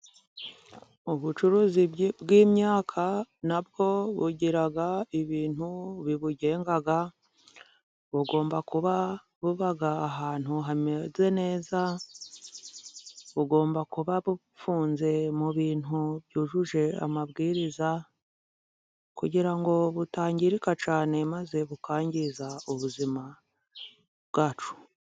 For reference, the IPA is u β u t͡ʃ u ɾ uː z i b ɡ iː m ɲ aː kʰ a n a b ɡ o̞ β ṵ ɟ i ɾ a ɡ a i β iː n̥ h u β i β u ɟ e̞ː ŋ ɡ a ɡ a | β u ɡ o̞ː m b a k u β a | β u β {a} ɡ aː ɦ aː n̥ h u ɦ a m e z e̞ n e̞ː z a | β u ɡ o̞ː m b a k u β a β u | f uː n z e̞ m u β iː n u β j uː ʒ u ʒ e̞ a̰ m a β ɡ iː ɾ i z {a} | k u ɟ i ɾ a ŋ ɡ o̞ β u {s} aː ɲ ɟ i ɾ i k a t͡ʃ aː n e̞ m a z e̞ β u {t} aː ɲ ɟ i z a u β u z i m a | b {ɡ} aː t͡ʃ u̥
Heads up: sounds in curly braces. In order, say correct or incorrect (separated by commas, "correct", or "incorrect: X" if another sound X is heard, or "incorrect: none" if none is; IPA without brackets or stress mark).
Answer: correct, correct, incorrect: t, incorrect: k, correct